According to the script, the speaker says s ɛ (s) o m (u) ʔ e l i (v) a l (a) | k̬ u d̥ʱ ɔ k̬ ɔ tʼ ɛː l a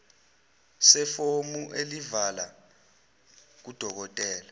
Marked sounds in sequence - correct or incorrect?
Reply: incorrect: f, correct, correct, correct

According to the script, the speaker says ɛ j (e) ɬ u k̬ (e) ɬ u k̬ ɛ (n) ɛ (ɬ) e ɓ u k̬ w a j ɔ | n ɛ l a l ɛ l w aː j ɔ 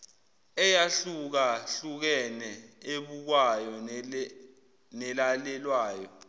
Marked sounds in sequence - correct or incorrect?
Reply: incorrect: a, incorrect: a, correct, incorrect: none

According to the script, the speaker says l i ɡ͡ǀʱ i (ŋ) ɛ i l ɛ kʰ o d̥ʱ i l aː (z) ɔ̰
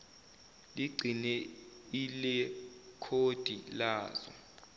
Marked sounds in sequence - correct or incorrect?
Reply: incorrect: n, correct

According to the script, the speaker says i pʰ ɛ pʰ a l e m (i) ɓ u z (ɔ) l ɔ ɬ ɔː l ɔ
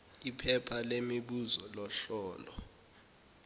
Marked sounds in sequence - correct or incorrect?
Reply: correct, correct

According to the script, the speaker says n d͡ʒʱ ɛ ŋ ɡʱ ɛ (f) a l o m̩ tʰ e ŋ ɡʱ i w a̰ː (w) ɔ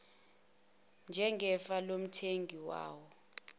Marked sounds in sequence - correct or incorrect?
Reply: correct, correct

